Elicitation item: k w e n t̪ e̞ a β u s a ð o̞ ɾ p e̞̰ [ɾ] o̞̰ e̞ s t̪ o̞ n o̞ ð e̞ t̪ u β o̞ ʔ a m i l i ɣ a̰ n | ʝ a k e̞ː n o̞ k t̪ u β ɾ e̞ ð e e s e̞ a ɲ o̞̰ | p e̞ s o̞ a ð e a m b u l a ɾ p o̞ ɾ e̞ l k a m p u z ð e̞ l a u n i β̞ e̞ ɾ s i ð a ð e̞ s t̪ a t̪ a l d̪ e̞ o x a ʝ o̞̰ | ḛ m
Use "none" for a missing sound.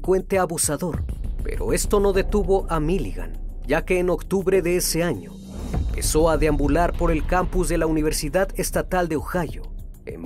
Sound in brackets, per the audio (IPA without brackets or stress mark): ɾ